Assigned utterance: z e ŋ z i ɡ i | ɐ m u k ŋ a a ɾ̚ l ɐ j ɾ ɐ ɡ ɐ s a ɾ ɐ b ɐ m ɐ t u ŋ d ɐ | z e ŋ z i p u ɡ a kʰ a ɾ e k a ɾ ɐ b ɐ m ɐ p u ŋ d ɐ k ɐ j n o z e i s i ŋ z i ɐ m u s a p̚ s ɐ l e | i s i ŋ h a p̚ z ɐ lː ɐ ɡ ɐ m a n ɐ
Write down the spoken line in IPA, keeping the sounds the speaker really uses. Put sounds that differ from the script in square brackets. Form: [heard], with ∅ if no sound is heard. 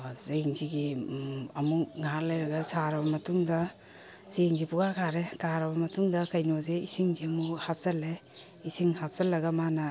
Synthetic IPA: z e ŋ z i ɡ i | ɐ m u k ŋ a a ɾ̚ l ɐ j ɾ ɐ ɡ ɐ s a ɾ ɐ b ɐ m ɐ t u ŋ d ɐ | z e ŋ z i p u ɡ a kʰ a ɾ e k a ɾ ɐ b ɐ m ɐ [t] u ŋ d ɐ k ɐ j n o z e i s i ŋ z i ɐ m u [h] a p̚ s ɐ l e | i s i ŋ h a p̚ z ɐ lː ɐ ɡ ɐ m a n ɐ

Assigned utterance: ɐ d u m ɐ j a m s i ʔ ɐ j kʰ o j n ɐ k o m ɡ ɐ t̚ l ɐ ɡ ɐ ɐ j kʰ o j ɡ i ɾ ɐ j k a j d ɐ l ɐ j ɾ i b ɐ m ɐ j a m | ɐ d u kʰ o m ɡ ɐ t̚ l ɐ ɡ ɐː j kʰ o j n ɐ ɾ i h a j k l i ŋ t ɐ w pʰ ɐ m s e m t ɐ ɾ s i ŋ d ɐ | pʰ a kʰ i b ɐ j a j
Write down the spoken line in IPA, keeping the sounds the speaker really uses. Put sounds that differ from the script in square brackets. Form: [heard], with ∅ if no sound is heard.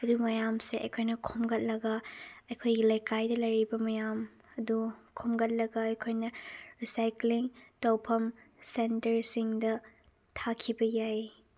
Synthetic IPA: ɐ d u m ɐ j a m s [e] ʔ ɐ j kʰ o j n ɐ [kʰ] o m ɡ ɐ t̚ l ɐ ɡ ɐ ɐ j kʰ o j ɡ i [l] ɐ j k a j d ɐ l ɐ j ɾ i b ɐ m ɐ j a m | ɐ d u kʰ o m ɡ ɐ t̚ l ɐ ɡ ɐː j kʰ o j n ɐ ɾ i [s] a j k l i ŋ t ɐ w pʰ ɐ m s e [n] t ɐ ɾ s i ŋ d ɐ | [tʰ] a kʰ i b ɐ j a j

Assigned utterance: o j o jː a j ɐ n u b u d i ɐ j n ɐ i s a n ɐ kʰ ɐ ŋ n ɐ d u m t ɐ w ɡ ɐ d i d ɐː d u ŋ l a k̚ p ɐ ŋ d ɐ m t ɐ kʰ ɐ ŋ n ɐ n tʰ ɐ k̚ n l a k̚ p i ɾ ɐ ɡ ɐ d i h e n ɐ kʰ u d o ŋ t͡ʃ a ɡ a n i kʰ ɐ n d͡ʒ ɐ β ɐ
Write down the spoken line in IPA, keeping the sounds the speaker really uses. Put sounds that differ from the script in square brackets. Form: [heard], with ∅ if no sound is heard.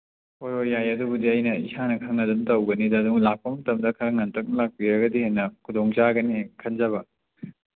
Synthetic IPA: o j o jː a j ɐ [d] u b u d i ɐ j n ɐ i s a n ɐ kʰ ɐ ŋ n ɐ d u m t ɐ w ɡ ɐ [n] i d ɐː d u ŋ l a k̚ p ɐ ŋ [t] ɐ m [d] ɐ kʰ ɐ ŋ n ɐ n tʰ ɐ k̚ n l a k̚ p i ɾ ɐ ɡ ɐ d i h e n ɐ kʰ u d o ŋ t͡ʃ a ɡ [ɐ] n i kʰ ɐ n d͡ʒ ɐ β ɐ

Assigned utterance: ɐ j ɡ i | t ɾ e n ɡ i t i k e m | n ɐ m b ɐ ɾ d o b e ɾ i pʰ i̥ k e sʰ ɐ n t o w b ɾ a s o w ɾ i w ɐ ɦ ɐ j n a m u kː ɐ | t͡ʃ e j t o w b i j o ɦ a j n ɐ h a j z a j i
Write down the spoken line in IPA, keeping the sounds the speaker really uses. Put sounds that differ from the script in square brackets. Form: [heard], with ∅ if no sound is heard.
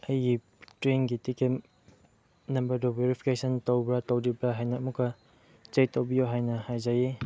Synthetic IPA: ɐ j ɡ i | t ɾ e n ɡ i t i k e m | n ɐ m b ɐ ɾ d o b e ɾ i pʰ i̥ k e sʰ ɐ n t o w b ɾ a [t] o w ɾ i [b] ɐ ɦ [a] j n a m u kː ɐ | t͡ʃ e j t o w b i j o ɦ a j n ɐ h a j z a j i

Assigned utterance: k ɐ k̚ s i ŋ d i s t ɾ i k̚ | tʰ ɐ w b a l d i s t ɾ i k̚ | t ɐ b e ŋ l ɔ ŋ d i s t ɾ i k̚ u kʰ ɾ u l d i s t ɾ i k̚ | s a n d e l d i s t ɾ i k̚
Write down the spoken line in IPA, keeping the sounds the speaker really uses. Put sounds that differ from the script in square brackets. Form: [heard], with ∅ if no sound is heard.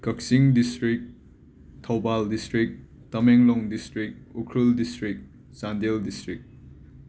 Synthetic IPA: k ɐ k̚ s i ŋ d i s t ɾ i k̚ | tʰ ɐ w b a l d i s t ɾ i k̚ | t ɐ [m] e ŋ l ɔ ŋ d i s t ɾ i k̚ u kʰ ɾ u l d i s t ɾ i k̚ | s a n d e l d i s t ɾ i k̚

